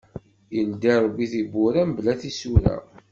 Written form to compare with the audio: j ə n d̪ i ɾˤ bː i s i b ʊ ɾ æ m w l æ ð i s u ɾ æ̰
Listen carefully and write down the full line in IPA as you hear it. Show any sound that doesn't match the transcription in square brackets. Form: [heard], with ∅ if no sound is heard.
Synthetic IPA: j ə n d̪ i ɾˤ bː i [θ] i b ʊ ɾ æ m [b] l æ [θ] i s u ɾ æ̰